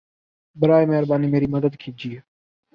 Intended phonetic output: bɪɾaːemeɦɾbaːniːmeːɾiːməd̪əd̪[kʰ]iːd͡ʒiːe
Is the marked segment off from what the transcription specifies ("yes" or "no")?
no